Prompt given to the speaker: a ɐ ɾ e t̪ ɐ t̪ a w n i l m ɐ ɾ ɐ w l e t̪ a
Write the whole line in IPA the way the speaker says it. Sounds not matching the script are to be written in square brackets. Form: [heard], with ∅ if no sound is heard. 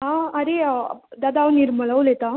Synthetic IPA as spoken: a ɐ ɾ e [d̪] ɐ [d̪] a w n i [ɾ] m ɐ [ɭ] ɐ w l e t̪ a